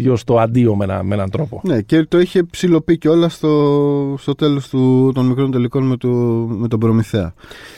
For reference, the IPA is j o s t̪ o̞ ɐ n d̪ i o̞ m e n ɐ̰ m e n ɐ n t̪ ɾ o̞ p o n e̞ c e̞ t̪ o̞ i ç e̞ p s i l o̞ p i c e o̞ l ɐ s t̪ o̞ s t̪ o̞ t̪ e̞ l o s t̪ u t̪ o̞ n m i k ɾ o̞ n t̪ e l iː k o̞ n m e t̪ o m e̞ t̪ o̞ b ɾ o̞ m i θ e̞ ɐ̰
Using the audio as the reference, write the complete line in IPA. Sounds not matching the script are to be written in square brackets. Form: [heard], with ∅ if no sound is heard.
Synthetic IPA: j o s t̪ o̞ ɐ n d̪ i o̞ m e n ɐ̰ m e n ɐ n t̪ ɾ o̞ p o n e̞ c e̞ t̪ o̞ i ç e̞ p s i l o̞ p i c e o̞ l ɐ s t̪ o̞ s t̪ o̞ t̪ e̞ l o s t̪ u t̪ o̞ n m i k ɾ o̞ n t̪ e l [i] k o̞ n m e t̪ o m e̞ t̪ o̞ b ɾ o̞ m i θ e̞ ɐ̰